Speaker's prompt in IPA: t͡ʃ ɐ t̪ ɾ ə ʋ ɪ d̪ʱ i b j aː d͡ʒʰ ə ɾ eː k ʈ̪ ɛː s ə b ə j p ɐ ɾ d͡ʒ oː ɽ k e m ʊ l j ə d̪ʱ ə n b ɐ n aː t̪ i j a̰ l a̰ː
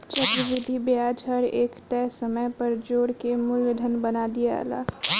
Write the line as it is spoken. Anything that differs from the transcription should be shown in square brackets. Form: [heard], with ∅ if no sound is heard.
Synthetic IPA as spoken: t͡ʃ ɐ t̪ ɾ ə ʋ ɪ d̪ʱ i b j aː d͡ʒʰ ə ɾ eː k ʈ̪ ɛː s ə [m] ə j p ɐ ɾ d͡ʒ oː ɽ k e m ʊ l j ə d̪ʱ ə n b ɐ n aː [d̪] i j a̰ l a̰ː